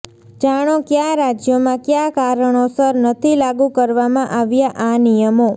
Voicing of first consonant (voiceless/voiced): voiced